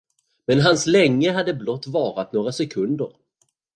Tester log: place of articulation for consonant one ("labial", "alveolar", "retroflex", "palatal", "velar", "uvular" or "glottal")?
labial